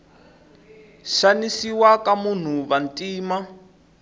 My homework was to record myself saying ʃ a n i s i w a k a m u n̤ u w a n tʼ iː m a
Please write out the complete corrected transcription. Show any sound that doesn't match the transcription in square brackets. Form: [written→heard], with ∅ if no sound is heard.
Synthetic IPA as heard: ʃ a n i s i w a k a m u n̤ u [w→β] a n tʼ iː m a